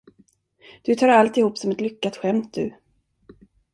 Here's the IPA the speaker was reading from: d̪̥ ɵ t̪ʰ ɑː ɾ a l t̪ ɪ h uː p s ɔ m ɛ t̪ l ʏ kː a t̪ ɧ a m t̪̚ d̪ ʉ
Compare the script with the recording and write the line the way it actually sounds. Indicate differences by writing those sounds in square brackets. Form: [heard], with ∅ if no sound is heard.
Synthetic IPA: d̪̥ ɵ t̪ʰ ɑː ɾ a l t̪ ɪ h uː p s ɔ m ɛ t̪ l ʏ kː a t̪ ɧ [ɛ] m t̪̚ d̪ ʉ